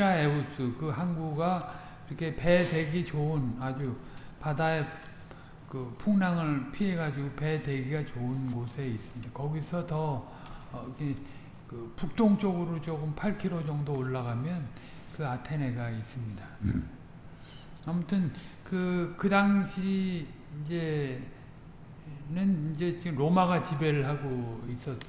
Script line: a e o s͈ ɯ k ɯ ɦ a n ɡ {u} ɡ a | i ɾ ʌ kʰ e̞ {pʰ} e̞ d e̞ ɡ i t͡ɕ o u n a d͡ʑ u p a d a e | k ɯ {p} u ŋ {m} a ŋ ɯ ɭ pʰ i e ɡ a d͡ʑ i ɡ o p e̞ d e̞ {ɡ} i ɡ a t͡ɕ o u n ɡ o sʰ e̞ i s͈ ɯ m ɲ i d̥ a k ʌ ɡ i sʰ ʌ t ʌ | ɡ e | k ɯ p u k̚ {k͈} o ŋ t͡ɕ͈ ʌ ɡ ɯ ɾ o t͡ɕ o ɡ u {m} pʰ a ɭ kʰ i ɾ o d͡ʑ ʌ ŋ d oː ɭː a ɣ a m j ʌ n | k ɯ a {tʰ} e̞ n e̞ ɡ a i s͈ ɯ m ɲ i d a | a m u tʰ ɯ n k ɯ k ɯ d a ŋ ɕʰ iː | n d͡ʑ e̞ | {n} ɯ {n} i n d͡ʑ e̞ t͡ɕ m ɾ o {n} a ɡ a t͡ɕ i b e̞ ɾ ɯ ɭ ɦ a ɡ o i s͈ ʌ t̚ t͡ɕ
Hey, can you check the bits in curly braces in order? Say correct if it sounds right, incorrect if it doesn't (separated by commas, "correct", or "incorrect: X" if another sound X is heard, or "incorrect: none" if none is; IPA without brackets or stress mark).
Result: correct, incorrect: p, incorrect: pʰ, incorrect: n, correct, incorrect: t͈, correct, correct, correct, correct, incorrect: m